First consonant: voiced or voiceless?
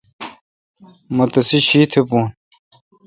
voiced